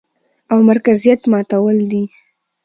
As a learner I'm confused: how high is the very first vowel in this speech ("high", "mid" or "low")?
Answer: low